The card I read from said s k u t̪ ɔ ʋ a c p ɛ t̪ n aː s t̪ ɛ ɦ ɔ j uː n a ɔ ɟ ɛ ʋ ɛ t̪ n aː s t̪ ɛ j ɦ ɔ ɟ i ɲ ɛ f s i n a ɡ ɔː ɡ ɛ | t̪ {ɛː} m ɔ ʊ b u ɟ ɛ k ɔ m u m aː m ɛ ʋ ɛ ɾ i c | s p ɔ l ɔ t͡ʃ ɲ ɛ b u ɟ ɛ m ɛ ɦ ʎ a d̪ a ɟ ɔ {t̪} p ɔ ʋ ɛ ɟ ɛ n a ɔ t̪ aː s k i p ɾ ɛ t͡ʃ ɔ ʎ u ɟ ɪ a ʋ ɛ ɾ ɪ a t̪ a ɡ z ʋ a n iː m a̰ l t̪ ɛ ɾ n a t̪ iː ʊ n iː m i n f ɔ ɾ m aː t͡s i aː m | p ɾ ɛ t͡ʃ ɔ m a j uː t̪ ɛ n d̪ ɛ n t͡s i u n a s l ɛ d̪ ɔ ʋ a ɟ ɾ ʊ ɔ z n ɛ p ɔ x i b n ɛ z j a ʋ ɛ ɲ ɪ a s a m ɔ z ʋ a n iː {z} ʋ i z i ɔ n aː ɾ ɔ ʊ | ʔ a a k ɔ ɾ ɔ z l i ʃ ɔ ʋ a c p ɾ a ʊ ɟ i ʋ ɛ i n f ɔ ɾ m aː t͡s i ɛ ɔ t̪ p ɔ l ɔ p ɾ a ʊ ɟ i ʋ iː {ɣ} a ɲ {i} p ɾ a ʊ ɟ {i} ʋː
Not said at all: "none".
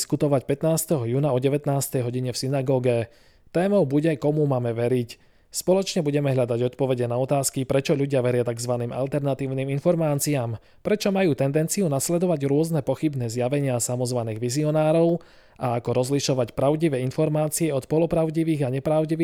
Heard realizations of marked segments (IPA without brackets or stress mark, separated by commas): ɛː, t̪, ɣ, ɣ, ɛ, i